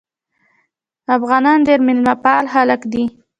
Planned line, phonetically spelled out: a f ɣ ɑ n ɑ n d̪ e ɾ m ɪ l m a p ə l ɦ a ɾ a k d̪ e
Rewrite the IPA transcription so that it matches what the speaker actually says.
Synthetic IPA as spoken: a f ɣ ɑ n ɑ n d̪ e ɾ m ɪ l m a p ɑ l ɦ a l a k d̪ i